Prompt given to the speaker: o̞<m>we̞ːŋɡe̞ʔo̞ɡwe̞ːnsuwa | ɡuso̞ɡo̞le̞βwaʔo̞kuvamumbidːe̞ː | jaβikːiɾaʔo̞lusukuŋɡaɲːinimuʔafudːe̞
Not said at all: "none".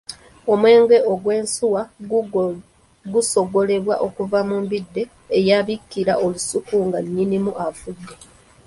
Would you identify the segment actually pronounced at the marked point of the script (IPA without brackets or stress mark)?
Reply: m